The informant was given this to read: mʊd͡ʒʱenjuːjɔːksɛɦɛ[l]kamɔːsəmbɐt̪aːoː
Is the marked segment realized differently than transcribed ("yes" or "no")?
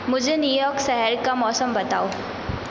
yes